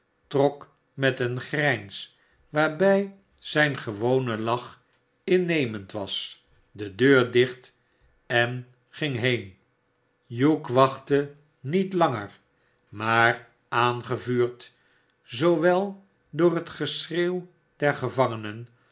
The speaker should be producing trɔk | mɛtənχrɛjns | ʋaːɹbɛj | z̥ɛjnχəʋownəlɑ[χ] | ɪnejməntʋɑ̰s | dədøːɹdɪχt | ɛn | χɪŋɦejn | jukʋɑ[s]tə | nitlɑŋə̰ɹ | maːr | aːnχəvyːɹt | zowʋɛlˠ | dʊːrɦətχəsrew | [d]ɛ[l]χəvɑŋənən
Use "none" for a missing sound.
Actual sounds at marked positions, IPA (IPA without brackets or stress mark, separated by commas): χ, χ, d, ɹ